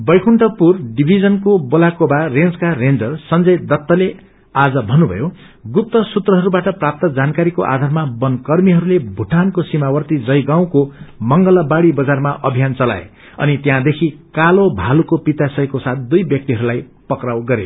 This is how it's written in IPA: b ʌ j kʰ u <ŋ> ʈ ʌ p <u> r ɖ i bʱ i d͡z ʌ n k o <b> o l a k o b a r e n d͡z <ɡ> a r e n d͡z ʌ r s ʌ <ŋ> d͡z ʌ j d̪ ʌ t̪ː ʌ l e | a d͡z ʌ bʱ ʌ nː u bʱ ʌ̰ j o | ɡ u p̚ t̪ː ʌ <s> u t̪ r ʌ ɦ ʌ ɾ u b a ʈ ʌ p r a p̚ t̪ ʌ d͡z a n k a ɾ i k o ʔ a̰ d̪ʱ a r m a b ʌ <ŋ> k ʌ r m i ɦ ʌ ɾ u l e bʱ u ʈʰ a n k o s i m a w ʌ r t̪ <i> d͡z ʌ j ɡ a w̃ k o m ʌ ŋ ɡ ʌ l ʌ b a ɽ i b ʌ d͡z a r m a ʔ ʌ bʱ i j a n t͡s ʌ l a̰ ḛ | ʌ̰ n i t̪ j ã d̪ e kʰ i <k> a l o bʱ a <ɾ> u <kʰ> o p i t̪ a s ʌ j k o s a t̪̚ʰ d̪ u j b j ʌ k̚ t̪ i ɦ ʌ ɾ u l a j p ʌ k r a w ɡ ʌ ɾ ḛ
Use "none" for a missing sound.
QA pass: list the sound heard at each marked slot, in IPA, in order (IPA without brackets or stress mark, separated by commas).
ɳ, u, b, k, n, s, n, i, k, l, k